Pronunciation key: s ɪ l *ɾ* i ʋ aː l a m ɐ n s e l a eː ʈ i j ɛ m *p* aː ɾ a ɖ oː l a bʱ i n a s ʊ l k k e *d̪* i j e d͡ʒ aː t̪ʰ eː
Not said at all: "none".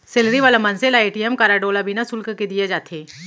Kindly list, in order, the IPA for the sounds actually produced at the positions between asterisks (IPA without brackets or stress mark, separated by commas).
ɾ, k, d̪